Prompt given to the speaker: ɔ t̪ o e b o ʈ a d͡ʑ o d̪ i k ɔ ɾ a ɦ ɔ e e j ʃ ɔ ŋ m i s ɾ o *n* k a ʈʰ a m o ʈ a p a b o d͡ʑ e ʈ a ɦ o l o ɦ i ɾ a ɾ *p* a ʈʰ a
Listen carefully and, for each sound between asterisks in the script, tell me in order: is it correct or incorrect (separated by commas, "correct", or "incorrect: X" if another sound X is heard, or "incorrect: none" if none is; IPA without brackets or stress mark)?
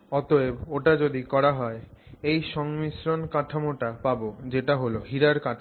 correct, incorrect: k